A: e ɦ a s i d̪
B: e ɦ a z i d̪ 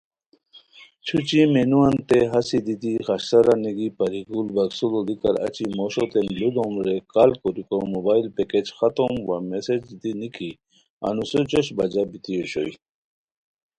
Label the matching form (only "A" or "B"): A